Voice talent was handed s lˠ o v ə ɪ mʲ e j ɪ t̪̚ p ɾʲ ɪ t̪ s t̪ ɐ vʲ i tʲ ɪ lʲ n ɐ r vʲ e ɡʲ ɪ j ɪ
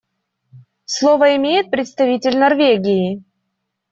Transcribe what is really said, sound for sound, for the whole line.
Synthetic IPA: s lˠ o v ə ɪ mʲ e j ɪ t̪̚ p ɾʲ ɪ t̪ s t̪ ɐ vʲ i tʲ ɪ lʲ n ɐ r vʲ e ɡʲ ɪ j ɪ